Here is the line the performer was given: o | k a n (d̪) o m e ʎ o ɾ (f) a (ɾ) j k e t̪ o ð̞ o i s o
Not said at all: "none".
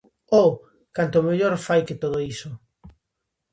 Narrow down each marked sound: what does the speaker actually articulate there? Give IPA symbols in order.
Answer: t̪, f, none

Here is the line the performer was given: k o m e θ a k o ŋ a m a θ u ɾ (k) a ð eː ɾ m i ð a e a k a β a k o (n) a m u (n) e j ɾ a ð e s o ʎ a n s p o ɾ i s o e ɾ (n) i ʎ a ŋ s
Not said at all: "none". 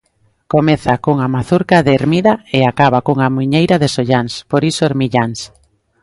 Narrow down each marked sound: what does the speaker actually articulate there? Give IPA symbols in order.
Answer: k, ŋ, ɲ, m

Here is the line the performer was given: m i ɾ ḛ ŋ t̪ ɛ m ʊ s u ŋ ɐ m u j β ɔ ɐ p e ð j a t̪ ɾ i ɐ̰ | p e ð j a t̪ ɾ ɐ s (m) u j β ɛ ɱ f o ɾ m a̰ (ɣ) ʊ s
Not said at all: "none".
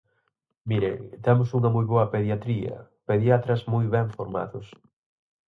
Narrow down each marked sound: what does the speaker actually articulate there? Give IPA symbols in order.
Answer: m, ð

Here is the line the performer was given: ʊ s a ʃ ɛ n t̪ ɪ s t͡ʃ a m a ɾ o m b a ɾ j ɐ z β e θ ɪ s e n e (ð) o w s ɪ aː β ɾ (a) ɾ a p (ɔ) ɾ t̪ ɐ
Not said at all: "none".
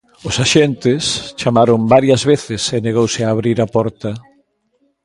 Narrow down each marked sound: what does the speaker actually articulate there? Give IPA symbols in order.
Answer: ɣ, i, ɔ

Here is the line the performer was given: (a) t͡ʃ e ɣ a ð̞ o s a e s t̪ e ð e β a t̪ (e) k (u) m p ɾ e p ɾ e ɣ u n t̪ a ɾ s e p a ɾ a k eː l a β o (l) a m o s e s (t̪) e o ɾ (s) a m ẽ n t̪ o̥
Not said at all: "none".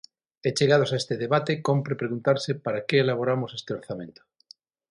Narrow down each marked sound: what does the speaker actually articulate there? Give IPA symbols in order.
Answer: e, e, o, ɾ, t̪, θ

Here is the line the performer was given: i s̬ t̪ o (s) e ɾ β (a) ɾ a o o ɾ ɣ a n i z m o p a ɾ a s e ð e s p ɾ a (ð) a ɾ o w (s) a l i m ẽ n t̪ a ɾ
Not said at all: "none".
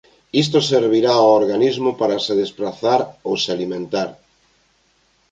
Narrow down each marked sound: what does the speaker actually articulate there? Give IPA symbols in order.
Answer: s, i, θ, s

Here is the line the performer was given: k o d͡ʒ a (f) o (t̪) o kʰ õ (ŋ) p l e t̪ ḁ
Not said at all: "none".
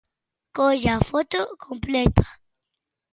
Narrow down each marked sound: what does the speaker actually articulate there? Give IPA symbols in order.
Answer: f, t̪, m

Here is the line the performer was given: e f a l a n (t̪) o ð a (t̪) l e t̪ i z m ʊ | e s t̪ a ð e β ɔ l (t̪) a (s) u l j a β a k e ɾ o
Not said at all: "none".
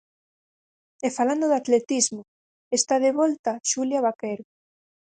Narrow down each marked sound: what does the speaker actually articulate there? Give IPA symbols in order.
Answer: d̪, t̪, t̪, ʃ

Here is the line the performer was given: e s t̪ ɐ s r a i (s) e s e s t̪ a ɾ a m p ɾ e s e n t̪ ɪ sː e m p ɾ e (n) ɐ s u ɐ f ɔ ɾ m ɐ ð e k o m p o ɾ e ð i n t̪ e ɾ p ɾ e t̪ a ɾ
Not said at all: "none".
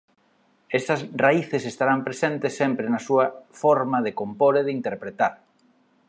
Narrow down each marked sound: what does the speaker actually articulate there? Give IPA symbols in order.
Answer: θ, n

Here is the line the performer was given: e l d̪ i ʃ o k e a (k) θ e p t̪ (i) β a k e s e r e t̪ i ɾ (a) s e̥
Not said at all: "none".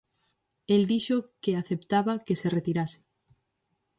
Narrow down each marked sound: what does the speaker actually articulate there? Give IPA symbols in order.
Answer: none, a, a

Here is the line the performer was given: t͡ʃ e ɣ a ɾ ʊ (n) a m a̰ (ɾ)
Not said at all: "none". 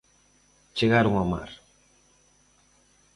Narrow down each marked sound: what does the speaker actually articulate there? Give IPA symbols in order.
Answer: ŋ, ɾ

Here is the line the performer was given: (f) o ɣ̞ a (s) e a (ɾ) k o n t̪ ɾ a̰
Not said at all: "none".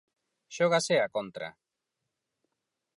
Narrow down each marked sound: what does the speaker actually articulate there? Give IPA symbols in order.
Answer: ʃ, s, none

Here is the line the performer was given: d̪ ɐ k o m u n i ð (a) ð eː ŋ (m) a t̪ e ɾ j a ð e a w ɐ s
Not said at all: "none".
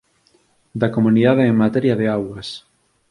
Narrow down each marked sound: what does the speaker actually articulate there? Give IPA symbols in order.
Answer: a, m

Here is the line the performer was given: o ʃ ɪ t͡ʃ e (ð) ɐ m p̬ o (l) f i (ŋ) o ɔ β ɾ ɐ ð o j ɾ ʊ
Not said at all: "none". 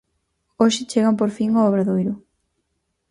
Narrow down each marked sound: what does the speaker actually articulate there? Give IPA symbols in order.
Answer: ɣ, ɾ, ŋ

